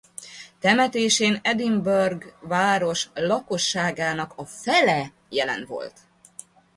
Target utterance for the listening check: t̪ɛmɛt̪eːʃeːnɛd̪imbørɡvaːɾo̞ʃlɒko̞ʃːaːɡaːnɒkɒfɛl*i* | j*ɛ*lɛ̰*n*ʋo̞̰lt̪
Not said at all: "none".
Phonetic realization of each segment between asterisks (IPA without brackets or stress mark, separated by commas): ɛ, ɛ, n